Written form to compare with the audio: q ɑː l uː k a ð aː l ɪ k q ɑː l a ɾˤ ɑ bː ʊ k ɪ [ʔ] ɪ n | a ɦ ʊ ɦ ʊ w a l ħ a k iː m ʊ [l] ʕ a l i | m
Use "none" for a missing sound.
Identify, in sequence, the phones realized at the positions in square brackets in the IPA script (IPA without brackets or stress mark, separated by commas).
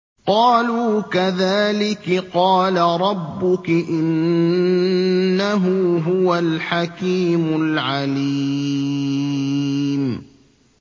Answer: ʔ, l